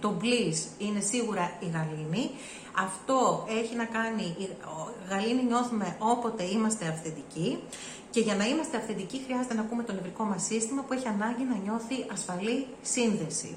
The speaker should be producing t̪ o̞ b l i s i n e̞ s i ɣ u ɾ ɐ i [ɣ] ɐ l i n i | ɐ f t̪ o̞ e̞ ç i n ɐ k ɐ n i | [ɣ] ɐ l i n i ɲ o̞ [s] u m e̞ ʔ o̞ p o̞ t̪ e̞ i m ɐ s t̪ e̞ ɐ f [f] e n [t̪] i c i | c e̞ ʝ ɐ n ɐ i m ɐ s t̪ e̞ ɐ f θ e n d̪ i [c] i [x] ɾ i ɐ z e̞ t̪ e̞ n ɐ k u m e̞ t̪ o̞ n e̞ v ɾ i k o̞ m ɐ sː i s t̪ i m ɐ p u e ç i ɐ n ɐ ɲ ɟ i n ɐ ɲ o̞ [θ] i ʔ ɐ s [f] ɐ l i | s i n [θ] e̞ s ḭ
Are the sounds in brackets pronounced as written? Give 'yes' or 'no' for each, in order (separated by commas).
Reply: yes, yes, no, no, no, yes, yes, yes, yes, no